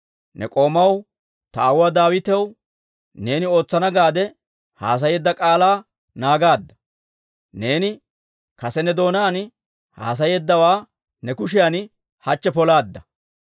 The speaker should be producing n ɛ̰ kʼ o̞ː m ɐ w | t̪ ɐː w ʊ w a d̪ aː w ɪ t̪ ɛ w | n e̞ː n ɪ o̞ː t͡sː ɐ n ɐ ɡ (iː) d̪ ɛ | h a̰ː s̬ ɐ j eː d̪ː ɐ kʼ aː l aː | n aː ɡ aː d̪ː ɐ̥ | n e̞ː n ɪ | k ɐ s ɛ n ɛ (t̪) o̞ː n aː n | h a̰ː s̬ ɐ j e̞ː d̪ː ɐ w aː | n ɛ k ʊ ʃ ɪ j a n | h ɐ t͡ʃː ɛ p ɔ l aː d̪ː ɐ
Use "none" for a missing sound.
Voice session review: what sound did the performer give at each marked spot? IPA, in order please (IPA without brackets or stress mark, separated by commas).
aː, d̪